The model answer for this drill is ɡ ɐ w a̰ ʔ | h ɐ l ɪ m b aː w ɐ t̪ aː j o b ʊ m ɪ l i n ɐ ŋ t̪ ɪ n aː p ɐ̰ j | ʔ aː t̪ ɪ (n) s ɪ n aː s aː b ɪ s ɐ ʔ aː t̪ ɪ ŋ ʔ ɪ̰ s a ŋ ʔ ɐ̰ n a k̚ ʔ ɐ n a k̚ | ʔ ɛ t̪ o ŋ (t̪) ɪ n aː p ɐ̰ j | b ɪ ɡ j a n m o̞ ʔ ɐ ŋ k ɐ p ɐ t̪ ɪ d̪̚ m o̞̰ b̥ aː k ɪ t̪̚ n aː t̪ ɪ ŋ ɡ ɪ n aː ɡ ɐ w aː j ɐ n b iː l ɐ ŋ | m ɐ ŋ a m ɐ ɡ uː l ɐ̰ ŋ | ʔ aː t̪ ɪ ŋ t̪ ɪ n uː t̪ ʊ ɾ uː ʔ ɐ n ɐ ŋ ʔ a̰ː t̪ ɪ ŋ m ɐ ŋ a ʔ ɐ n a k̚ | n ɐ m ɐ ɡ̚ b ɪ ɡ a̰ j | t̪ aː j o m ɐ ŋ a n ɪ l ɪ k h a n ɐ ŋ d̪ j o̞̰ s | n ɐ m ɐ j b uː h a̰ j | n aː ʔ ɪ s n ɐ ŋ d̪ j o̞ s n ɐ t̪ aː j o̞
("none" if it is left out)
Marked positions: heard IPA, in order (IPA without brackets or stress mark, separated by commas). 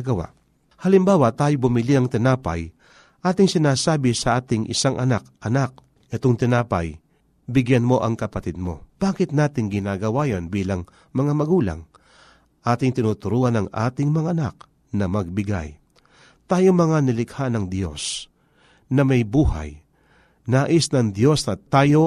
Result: ŋ, t̪